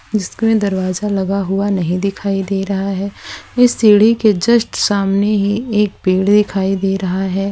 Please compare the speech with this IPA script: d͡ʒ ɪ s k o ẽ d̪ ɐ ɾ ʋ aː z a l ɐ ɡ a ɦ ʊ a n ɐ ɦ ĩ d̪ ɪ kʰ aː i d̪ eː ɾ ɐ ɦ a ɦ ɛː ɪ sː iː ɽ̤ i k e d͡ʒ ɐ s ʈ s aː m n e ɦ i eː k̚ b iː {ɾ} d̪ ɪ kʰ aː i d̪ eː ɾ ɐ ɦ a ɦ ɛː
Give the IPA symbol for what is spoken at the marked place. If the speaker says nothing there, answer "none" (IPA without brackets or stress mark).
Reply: ɽ